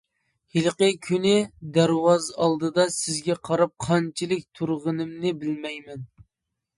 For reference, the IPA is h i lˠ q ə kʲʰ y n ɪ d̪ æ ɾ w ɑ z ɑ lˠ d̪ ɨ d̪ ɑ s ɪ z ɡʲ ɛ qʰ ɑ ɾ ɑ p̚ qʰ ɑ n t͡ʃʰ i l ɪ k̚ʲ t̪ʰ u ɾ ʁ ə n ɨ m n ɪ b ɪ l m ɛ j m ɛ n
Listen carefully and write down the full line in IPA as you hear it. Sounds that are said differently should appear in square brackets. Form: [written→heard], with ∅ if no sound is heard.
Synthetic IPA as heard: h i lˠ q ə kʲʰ y n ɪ d̪ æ ɾ w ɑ z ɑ lˠ d̪ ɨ d̪ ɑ s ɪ z ɡʲ ɛ qʰ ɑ ɾ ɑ p̚ qʰ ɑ n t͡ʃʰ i l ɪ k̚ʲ t̪ʰ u ɾ ʁ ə n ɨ m n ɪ b ɪ l m ɛ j m ɛ n